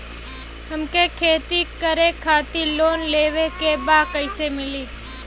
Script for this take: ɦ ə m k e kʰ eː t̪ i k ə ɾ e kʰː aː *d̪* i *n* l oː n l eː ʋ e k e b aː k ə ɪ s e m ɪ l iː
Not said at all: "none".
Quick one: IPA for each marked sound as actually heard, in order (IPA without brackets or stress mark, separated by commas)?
t̪, none